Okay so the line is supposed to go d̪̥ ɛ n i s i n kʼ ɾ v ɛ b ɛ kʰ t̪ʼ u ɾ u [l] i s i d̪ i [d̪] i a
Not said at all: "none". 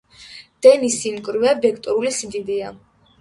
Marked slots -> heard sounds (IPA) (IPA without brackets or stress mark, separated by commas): l, d̪